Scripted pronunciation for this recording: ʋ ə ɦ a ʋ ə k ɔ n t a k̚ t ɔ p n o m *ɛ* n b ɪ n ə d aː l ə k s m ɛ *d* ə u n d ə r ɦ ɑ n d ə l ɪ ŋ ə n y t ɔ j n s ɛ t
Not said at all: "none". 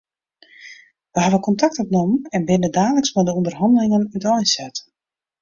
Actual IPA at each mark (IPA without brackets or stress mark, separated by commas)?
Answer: ɛ, d